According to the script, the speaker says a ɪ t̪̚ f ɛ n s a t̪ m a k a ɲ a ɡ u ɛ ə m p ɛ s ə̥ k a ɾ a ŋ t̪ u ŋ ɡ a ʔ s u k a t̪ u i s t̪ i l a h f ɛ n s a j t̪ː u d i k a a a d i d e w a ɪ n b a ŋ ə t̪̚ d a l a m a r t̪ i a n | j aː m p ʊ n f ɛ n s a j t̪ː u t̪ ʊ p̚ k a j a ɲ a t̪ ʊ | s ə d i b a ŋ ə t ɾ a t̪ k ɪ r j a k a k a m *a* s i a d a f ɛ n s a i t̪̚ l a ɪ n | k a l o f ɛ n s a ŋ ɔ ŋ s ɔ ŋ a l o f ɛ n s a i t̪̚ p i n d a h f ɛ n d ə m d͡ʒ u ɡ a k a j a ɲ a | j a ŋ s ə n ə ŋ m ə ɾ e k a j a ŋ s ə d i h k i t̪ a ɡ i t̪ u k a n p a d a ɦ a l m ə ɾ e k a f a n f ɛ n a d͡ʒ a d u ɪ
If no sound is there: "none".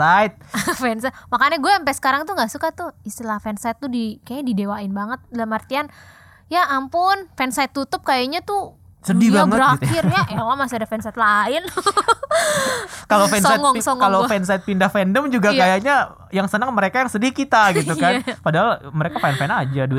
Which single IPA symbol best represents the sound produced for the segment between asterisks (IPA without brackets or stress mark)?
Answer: a